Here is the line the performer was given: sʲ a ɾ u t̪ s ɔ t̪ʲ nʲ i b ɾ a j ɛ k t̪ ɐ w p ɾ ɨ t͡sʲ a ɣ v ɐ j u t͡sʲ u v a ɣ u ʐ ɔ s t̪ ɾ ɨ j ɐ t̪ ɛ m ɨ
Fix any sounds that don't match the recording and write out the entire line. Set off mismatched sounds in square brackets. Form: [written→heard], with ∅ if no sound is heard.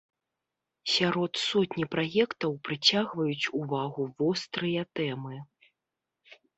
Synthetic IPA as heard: sʲ a ɾ [u→ɔ] t̪ s ɔ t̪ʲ nʲ i [b→p] ɾ a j ɛ k t̪ ɐ w p ɾ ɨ t͡sʲ a ɣ v ɐ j u t͡sʲ u v a ɣ u [ʐ→v] ɔ s t̪ ɾ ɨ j ɐ t̪ ɛ m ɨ